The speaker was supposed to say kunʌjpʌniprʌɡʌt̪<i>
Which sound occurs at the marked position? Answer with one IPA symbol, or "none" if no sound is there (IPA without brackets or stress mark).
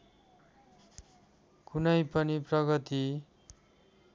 i